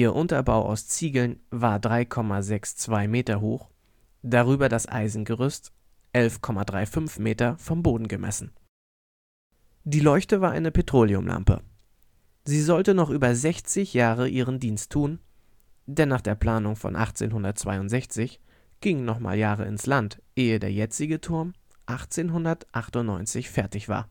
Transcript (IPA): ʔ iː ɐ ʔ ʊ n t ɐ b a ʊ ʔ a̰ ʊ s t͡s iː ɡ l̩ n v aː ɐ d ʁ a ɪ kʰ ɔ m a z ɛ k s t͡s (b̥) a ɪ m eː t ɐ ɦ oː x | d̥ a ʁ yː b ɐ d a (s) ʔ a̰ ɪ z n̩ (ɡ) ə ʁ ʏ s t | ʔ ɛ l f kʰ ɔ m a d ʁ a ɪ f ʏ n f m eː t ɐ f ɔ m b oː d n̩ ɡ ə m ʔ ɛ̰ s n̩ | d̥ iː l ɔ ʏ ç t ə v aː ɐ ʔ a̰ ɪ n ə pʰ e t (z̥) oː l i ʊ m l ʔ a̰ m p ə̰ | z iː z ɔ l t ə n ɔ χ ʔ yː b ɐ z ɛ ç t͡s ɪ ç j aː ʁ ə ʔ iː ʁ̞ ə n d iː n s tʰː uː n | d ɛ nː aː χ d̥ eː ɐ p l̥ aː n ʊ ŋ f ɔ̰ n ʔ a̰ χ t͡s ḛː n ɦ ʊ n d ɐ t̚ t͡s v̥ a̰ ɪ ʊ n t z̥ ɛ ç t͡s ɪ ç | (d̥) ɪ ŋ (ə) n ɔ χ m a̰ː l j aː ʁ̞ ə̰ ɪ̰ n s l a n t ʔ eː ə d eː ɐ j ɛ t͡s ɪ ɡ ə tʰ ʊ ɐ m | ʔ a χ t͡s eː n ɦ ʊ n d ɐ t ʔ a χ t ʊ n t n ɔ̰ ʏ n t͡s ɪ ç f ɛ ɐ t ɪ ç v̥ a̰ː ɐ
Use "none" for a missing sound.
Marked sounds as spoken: v̥, s, ɡ, ʁ̥, ɡ̥, ə

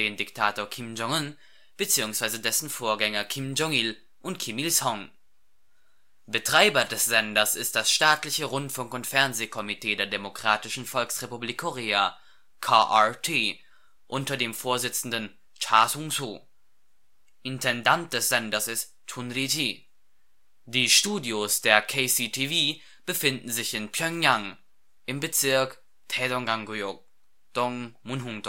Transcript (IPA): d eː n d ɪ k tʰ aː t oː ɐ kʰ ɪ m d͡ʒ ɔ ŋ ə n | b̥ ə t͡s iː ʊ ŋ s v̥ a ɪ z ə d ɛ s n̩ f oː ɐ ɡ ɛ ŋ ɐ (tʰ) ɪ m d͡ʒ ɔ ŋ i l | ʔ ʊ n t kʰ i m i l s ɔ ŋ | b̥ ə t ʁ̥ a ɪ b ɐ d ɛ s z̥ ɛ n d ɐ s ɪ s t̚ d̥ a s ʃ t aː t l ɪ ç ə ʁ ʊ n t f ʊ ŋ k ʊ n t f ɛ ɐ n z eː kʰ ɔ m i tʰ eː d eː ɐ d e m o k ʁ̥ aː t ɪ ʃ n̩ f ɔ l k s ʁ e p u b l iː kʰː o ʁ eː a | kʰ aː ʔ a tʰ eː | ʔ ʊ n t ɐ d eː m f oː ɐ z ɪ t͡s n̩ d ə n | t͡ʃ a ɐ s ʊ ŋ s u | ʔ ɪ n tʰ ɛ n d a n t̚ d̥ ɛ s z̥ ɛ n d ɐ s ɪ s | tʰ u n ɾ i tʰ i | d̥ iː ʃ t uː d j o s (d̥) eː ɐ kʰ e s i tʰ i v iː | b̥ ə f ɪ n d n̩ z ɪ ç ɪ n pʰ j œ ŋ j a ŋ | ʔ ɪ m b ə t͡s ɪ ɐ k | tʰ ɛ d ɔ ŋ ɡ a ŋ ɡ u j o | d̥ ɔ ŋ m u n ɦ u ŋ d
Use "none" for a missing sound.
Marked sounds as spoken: kʰ, d̥

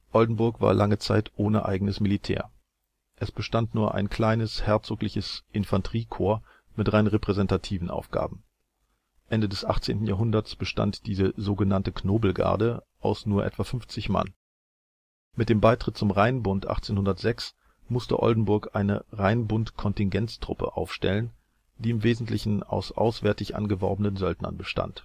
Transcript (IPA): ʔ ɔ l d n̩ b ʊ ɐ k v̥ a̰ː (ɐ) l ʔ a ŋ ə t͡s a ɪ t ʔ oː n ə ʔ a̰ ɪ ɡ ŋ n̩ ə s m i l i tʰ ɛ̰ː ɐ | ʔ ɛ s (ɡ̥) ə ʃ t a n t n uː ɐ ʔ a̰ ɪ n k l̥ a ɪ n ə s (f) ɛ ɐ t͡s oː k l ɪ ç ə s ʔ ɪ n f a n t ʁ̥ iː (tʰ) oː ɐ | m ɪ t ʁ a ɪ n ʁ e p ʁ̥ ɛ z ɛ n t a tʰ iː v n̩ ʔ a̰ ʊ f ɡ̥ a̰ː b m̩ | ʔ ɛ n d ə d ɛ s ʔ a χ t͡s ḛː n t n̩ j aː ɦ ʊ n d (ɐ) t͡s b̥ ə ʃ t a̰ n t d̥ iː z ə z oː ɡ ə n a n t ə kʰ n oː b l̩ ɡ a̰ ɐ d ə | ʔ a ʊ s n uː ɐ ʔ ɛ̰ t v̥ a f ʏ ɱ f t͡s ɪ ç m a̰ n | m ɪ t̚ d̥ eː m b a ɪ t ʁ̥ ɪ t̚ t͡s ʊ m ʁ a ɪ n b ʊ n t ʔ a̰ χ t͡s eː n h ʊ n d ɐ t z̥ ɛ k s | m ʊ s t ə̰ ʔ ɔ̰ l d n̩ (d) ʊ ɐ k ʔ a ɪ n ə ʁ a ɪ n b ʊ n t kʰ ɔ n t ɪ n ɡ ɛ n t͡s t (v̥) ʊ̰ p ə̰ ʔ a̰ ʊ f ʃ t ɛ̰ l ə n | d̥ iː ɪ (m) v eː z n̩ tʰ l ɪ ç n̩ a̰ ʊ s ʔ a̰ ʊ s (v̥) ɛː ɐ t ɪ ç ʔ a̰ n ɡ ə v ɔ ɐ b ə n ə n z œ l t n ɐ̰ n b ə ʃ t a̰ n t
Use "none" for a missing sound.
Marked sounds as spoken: ɐ, b̥, h, kʰ, ɐ, b, ʁ̥, m, v̥

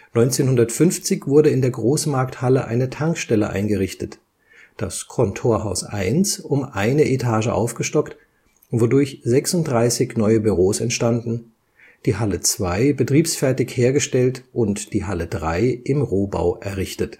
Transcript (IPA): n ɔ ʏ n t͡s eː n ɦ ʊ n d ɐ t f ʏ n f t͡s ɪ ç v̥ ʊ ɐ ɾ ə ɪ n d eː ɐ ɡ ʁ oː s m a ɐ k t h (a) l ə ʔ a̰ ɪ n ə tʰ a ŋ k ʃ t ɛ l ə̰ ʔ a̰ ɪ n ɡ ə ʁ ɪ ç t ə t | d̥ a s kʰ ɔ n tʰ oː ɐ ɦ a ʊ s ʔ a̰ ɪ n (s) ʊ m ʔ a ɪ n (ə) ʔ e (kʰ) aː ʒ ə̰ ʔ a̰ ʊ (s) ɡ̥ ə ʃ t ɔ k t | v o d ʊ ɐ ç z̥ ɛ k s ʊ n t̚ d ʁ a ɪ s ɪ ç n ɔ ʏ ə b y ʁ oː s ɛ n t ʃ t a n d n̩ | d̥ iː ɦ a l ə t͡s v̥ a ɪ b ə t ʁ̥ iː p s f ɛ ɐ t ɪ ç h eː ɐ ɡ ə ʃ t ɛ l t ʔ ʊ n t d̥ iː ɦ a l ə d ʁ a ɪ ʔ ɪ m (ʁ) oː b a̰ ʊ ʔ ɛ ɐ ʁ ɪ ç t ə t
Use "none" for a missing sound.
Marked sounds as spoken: a, s, ə, tʰ, f, ʁ

